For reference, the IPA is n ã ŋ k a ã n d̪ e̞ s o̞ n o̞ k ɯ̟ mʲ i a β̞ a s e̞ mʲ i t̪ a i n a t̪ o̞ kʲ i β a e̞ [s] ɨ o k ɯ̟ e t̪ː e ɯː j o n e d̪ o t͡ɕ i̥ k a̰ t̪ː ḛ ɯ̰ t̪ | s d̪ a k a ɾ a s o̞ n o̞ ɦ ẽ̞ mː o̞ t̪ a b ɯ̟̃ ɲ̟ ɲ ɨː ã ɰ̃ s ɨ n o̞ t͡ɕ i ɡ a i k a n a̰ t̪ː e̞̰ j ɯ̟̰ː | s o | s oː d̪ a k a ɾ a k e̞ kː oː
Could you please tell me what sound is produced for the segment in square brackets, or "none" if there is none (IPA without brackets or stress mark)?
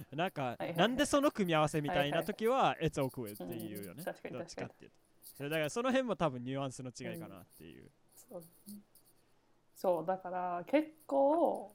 t͡s